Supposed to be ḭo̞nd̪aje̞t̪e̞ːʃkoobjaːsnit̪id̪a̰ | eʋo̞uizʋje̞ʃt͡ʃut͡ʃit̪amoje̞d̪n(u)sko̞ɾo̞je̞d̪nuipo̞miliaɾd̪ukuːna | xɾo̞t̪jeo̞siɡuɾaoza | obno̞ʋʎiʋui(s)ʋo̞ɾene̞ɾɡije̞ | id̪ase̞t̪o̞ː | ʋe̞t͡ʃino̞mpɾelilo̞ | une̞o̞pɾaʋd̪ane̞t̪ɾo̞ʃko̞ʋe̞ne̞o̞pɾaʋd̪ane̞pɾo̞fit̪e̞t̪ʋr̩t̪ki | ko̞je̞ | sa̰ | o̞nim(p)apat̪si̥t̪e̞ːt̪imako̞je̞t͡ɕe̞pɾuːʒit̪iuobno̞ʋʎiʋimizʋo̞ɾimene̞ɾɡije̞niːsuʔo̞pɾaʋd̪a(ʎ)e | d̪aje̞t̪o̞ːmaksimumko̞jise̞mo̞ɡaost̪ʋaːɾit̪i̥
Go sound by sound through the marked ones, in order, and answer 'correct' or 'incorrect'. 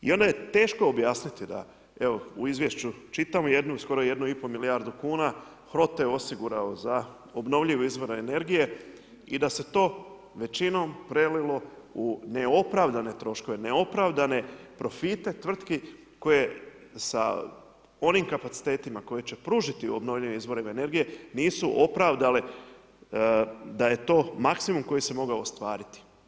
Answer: correct, incorrect: z, incorrect: k, incorrect: l

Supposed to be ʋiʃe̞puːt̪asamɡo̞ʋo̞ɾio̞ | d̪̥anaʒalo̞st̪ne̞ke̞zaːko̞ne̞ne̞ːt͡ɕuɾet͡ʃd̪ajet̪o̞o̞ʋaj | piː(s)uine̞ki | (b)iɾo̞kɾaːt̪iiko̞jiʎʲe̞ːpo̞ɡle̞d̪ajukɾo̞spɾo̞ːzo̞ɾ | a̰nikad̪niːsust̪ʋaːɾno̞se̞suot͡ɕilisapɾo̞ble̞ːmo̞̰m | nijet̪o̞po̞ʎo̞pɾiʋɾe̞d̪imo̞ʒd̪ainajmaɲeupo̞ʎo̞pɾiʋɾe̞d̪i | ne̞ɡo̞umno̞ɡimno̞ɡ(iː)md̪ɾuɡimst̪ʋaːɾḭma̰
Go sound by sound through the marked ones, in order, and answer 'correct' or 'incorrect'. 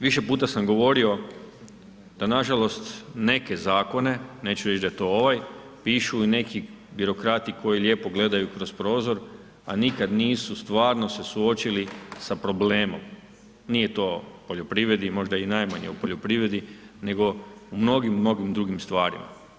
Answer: incorrect: ʃ, correct, incorrect: i

